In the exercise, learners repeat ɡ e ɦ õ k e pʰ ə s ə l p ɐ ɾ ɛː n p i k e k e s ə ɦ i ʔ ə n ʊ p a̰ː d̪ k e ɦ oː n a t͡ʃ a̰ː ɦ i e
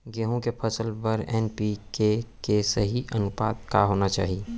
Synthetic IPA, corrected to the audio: ɡ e ɦ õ k e pʰ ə s ə l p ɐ ɾ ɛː n p i k e k e s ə ɦ i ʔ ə n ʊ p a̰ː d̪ k a ɦ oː n a t͡ʃ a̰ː ɦ i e